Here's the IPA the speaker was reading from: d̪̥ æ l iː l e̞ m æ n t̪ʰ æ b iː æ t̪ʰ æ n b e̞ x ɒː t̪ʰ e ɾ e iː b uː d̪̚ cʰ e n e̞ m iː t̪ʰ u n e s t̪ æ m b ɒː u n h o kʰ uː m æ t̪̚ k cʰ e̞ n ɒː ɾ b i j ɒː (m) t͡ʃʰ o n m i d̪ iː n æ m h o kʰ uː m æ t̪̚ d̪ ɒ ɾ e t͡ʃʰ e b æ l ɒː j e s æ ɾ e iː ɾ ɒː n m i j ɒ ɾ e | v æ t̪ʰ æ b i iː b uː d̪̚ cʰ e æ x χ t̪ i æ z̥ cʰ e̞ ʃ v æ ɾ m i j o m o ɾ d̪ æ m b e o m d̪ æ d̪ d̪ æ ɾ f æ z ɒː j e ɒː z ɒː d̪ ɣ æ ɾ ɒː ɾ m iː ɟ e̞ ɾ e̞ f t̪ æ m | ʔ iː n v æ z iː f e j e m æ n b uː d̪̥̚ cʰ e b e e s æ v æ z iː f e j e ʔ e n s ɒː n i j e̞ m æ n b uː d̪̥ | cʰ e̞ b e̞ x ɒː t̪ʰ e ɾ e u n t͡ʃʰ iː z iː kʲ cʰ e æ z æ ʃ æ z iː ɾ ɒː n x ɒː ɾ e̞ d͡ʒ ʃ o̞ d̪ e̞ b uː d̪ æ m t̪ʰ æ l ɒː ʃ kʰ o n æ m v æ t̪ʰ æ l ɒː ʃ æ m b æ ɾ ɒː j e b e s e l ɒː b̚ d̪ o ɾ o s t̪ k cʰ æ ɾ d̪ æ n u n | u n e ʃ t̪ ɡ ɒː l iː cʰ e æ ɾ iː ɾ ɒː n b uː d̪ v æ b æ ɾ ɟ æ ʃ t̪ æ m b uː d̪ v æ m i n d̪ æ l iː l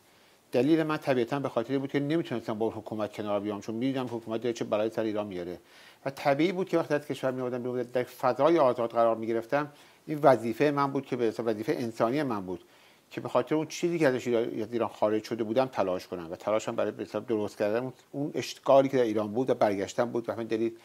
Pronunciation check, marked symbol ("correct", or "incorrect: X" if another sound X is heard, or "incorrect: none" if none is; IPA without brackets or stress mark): correct